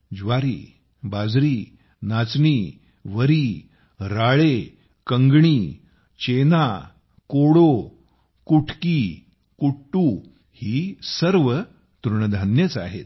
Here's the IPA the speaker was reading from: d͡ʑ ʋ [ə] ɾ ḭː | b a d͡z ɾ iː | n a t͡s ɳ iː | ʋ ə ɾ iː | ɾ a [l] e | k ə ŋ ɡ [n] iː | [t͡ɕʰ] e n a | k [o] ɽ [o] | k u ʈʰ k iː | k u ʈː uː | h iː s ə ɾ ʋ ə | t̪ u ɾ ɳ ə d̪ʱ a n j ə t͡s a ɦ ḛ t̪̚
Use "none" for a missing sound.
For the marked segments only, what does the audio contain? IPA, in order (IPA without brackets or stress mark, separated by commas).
a, ɭ, ɳ, t͡ɕ, o, o